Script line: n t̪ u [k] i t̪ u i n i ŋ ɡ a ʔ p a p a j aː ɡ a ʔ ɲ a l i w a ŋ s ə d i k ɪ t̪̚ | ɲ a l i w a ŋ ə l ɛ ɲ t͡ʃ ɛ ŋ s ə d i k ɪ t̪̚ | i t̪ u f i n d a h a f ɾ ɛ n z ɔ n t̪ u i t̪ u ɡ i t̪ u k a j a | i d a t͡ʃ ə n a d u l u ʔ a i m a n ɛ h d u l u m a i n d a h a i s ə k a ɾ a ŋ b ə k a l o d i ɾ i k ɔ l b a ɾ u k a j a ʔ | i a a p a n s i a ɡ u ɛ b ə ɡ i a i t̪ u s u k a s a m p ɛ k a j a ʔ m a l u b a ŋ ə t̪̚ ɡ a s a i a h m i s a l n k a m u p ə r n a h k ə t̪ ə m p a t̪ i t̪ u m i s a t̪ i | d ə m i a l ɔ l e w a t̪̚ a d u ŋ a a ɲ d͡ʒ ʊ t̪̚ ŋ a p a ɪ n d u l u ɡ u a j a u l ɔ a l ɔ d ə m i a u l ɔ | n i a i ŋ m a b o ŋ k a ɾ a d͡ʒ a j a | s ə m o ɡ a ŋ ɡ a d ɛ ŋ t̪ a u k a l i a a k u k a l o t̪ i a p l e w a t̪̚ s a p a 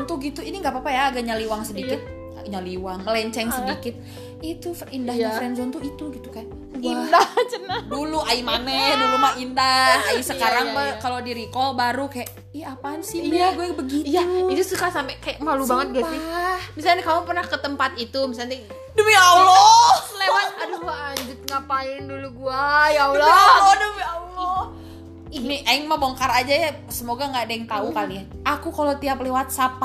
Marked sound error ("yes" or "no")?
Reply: yes